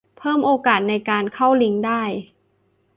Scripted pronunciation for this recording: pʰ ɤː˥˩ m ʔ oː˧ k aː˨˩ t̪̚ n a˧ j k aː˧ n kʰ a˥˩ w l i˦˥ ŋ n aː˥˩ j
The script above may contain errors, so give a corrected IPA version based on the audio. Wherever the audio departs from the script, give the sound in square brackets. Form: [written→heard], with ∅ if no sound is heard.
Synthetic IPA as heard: pʰ ɤː˥˩ m ʔ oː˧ k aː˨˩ t̪̚ n a˧ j k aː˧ n kʰ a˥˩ w l i˦˥ ŋ [n→d] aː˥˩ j